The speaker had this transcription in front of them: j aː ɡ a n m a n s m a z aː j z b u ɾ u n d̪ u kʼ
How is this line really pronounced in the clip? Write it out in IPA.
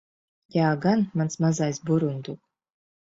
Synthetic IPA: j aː ɡ a n m a n s m a z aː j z b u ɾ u n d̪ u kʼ